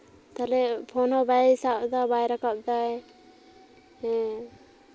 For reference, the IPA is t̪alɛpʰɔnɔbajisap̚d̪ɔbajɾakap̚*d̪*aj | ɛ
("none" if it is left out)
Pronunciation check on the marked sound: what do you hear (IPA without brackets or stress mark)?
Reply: d̪